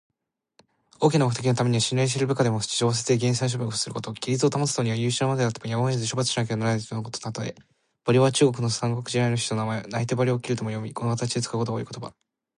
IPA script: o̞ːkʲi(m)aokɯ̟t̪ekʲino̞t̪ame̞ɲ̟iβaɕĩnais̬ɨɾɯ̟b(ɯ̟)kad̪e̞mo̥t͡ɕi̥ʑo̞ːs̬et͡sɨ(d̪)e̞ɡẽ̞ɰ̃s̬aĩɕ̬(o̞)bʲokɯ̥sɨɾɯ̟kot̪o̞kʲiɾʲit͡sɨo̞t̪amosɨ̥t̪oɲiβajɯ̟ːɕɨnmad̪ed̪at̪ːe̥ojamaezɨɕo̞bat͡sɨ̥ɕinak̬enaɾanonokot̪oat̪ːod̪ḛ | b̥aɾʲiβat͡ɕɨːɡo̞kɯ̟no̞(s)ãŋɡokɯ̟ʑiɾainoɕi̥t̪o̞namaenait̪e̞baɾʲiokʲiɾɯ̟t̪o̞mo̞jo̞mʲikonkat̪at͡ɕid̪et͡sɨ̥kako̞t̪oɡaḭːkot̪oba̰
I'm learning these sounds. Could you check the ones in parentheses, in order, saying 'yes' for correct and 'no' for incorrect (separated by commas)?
no, yes, yes, yes, yes